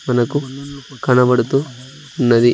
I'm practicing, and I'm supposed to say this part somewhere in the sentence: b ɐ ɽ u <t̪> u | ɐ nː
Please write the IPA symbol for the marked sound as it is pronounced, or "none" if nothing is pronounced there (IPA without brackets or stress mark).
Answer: t̪